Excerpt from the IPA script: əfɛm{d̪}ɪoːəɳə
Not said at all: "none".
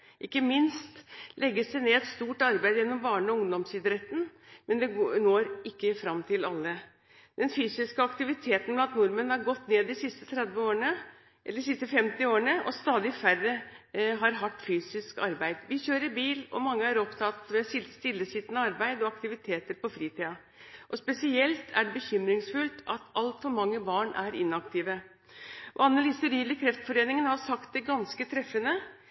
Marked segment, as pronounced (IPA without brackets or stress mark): t̪